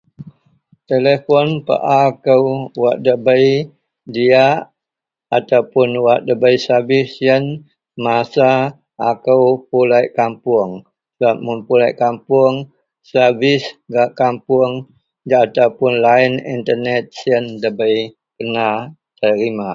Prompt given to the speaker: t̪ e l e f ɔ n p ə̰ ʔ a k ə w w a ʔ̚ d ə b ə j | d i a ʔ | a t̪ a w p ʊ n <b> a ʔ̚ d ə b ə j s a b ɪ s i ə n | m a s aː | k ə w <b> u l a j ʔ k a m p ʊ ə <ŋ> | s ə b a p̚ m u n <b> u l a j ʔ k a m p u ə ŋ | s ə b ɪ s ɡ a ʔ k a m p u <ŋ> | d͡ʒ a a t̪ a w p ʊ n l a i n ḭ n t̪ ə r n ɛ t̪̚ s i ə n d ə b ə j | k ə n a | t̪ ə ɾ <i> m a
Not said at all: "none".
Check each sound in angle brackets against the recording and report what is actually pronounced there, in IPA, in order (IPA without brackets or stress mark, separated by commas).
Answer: w, p, ŋ, p, ŋ, i